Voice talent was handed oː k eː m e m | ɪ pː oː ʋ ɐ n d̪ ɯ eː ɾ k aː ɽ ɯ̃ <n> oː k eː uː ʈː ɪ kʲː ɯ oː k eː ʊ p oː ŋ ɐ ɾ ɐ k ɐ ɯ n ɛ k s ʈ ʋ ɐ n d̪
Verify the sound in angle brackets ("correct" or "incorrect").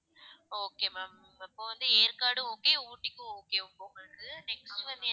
incorrect